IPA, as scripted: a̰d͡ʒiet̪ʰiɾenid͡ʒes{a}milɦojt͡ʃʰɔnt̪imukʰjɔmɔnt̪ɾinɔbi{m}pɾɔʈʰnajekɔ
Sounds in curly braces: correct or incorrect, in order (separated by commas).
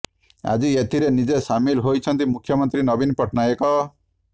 correct, incorrect